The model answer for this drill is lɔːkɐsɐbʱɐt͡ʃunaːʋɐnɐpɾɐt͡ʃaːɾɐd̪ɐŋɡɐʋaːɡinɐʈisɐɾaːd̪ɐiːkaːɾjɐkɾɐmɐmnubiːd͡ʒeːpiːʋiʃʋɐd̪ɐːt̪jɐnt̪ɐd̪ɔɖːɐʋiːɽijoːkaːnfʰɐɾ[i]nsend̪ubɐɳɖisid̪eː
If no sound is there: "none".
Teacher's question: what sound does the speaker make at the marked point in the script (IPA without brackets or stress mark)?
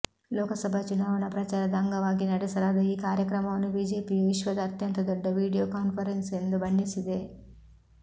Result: e